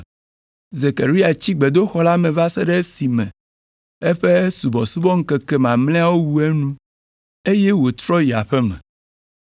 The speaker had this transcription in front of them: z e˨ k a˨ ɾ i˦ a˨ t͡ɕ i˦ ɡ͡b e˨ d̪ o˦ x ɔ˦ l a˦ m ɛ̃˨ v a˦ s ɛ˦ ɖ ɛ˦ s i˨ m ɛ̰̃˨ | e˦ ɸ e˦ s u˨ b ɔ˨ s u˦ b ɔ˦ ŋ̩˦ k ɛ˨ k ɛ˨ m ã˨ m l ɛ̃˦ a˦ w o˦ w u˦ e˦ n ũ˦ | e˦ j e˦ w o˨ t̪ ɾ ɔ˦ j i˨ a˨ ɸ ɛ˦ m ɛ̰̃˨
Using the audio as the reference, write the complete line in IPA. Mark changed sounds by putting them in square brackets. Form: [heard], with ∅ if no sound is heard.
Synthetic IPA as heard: z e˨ k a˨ ɾ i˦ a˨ t͡ɕ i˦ ɡ͡b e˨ d̪ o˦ x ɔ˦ l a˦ m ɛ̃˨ v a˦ s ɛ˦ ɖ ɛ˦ s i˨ m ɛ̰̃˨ | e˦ ɸ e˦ s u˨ b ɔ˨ s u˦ b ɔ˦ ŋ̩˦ k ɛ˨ k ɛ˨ m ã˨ m l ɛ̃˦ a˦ w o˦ w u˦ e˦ n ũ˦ | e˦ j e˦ w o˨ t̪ ɾ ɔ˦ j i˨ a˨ ɸ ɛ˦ m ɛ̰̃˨